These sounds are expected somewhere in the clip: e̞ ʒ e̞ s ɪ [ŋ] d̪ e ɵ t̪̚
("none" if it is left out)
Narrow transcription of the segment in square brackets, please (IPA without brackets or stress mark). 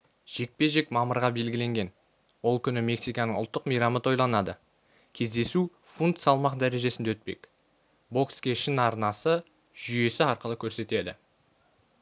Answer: n